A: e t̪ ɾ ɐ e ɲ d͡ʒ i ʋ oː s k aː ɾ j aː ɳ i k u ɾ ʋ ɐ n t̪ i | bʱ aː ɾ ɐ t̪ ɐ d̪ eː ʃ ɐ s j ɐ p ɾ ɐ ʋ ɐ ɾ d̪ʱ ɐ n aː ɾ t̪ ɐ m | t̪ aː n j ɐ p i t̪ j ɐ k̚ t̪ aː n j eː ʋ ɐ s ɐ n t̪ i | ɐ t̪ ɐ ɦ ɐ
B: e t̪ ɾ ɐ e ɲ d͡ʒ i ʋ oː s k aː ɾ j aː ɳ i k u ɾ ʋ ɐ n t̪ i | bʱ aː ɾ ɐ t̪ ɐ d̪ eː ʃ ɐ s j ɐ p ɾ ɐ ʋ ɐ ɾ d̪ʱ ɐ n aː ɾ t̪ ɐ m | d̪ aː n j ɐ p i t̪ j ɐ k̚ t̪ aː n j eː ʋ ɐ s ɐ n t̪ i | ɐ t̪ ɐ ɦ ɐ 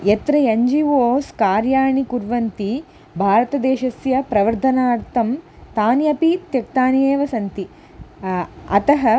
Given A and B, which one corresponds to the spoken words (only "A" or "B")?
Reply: A